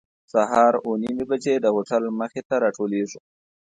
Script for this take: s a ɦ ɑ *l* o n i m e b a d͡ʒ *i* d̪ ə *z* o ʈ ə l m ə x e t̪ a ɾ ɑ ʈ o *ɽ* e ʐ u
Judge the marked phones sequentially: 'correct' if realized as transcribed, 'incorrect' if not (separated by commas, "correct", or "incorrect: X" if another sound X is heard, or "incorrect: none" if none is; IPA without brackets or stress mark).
incorrect: ɾ, incorrect: e, incorrect: ɣ, incorrect: l